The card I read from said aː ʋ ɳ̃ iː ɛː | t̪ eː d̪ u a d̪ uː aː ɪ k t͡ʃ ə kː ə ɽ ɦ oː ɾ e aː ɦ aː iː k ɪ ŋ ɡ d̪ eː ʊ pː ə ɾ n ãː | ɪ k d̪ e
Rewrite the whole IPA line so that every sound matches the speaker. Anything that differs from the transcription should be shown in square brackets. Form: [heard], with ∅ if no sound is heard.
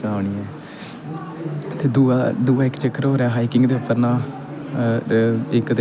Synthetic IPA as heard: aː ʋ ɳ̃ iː ɛː | t̪ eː d̪ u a d̪ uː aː ɪ k t͡ʃ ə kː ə [ɾ] ɦ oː ɾ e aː ɦ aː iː k ɪ ŋ ɡ d̪ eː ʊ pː ə ɾ n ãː | ɪ k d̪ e